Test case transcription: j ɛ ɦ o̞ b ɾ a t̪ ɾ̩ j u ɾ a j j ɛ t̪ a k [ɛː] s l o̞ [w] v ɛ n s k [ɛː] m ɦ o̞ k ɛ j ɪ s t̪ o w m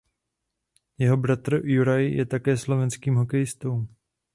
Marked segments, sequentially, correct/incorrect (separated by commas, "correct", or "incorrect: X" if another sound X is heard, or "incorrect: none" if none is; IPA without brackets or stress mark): correct, incorrect: none, incorrect: iː